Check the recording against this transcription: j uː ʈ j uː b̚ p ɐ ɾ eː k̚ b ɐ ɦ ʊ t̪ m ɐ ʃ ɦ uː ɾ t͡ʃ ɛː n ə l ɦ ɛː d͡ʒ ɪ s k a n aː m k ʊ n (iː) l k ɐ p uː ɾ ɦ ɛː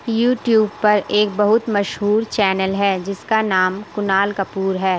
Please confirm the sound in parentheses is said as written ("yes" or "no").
no